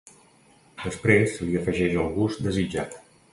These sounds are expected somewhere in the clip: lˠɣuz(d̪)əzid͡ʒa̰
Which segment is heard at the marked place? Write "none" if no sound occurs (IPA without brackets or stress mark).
d̪